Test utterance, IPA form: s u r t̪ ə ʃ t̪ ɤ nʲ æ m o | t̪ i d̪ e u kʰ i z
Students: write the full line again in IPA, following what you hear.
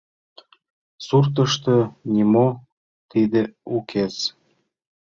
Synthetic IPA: s u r t̪ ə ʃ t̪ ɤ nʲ i m o | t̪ i d̪ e u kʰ e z